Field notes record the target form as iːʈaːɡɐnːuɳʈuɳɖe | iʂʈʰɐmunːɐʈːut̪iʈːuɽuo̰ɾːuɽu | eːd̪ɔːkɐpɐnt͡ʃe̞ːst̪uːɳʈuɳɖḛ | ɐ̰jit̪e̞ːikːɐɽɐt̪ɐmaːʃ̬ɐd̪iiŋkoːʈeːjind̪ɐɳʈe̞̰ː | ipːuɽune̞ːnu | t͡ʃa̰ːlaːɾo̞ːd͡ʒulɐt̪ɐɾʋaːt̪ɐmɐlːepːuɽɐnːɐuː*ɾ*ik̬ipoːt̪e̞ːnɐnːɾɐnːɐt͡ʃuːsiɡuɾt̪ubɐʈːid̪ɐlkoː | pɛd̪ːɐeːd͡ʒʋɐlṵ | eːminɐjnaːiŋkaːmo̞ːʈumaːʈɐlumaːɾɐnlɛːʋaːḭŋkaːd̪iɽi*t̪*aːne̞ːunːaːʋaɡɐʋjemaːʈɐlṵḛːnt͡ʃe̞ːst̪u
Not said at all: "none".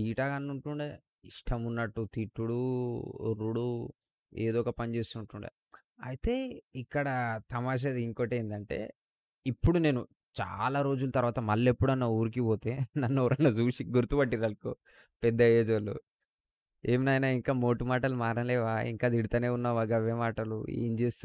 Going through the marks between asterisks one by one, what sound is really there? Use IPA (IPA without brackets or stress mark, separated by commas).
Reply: ɾ, t̪